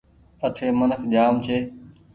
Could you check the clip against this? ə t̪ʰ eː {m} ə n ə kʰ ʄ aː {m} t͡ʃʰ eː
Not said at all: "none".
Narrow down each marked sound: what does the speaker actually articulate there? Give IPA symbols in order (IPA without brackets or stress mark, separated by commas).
m, m